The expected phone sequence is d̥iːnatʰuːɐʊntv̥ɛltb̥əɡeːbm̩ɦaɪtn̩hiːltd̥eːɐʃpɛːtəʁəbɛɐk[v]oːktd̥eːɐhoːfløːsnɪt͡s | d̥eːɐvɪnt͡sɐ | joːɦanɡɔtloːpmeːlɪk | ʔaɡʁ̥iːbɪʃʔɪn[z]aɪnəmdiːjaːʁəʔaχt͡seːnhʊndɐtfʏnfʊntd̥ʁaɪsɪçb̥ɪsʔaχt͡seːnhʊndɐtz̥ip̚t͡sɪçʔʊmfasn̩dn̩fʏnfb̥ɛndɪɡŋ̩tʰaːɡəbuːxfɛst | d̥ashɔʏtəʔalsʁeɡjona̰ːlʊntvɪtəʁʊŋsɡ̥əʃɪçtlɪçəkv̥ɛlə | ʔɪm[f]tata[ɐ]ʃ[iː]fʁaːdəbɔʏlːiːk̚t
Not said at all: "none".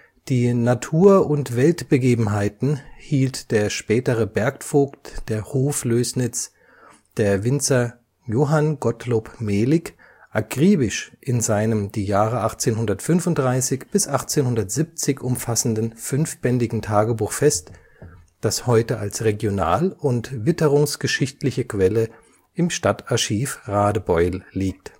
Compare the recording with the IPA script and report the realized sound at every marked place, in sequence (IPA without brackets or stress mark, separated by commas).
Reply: f, z, ʃ, ɐ, iː